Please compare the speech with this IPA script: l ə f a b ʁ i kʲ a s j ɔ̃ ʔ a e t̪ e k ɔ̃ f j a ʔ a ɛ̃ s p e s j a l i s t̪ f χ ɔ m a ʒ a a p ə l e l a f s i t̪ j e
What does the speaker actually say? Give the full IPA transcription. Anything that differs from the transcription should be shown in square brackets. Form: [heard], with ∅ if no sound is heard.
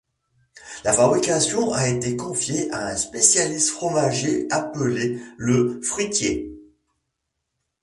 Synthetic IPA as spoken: l [a] f a b ʁ i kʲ a s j ɔ̃ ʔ a e t̪ e k ɔ̃ f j [e] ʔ a ɛ̃ s p e s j a l i s t̪ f χ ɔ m a ʒ [e] a p ə l e l [ə] f [χ] i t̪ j e

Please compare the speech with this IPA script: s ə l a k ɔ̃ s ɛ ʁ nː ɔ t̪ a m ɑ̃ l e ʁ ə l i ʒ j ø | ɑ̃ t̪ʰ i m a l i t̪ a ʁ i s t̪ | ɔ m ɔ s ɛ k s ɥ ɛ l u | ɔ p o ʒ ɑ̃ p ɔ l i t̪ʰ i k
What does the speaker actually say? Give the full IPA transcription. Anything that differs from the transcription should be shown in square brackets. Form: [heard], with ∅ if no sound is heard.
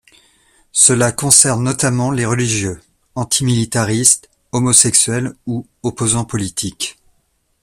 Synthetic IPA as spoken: s ə l a k ɔ̃ s ɛ ʁ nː ɔ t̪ a m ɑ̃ l e ʁ ə l i ʒ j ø | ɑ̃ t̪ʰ i m [i] l i t̪ a ʁ i s t̪ | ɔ m ɔ s ɛ k s ɥ ɛ l u | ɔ p o [z] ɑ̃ p ɔ l i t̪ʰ i k

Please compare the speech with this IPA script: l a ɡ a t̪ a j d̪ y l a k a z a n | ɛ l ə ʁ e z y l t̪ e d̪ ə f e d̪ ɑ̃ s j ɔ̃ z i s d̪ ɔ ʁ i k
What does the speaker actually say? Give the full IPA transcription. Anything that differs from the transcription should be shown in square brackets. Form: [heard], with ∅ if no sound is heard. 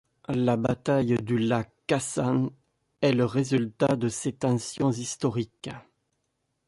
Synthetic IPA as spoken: l a [b] a t̪ a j d̪ y l a k a [s] a n | ɛ l ə ʁ e z y l t̪ [a] d̪ ə [s] e [t̪] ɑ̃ s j ɔ̃ z i s [t̪] ɔ ʁ i k

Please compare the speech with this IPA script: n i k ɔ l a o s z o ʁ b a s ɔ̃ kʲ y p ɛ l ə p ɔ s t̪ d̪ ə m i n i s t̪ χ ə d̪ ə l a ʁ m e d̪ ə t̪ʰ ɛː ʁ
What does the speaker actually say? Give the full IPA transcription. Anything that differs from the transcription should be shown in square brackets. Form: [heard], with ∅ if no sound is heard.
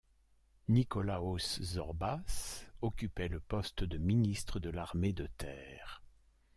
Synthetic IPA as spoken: n i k ɔ l a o s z [ɔ] ʁ b a s [ɔ] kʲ y p ɛ l ə p ɔ s t̪ d̪ ə m i n i s t̪ χ ə d̪ ə l a ʁ m e d̪ ə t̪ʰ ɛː ʁ

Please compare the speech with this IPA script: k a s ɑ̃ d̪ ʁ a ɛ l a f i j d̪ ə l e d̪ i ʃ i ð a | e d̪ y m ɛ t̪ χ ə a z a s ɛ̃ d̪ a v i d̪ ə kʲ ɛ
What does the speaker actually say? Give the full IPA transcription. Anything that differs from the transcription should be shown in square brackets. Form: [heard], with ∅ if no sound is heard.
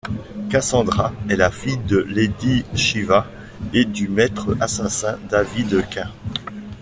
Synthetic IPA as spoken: k a s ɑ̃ d̪ ʁ a ɛ l a f i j d̪ ə l e d̪ i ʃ i [v] a | e d̪ y m ɛ t̪ χ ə a [s] a s ɛ̃ d̪ a v i d̪ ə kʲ [ɛ̃]

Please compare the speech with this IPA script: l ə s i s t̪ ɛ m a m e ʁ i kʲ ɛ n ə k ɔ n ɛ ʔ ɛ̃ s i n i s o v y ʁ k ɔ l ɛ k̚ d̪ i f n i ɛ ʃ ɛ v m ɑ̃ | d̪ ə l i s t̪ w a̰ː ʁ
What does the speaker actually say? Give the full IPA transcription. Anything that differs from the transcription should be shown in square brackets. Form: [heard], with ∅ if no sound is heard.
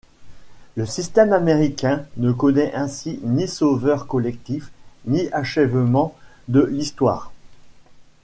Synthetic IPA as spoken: l ə s i s t̪ ɛ m a m e ʁ i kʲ [ɛ̃] n ə k ɔ n ɛ ʔ ɛ̃ s i n i s o v [œ] ʁ k ɔ l ɛ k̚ [t̪] i f n i [a] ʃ ɛ v m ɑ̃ | d̪ ə l i s t̪ w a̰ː ʁ

